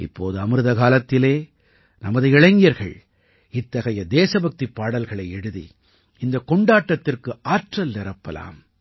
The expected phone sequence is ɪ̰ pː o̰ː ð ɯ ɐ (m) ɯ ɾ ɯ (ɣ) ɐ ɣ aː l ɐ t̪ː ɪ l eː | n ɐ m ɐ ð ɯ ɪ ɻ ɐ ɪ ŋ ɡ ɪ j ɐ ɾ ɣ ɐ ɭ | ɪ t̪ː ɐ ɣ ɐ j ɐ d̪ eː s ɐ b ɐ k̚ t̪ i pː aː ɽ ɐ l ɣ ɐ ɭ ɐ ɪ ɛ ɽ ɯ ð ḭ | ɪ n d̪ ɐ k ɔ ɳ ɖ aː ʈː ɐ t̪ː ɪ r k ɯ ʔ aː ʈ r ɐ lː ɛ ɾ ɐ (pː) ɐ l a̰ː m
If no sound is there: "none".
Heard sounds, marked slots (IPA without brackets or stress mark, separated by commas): m, ð, pː